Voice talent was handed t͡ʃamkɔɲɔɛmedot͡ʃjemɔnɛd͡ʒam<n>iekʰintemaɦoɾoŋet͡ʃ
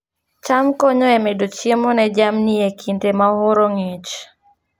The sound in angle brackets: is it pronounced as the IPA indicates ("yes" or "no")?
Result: yes